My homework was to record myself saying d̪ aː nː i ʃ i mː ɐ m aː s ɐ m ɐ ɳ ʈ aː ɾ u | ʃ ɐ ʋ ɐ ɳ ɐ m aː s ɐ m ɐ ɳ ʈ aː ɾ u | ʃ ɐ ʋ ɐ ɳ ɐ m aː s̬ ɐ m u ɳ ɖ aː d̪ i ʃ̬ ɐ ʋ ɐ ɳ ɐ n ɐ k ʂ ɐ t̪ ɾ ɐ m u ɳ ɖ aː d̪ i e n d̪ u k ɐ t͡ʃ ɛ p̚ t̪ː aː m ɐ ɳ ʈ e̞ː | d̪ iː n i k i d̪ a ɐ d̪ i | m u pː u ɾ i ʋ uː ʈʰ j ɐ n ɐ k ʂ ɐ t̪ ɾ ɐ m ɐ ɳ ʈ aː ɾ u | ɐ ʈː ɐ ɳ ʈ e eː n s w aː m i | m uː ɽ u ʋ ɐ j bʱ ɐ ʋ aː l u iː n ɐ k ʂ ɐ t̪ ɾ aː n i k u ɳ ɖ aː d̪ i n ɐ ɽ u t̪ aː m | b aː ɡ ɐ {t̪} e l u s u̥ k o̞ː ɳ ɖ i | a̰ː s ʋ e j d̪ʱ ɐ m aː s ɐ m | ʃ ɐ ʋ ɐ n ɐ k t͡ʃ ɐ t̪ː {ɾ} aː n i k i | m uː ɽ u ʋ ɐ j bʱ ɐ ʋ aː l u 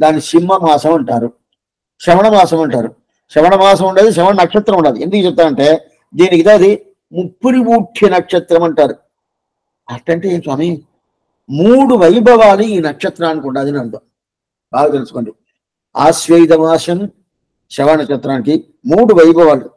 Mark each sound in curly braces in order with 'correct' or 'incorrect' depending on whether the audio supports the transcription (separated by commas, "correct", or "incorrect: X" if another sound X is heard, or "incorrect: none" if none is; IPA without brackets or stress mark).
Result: correct, correct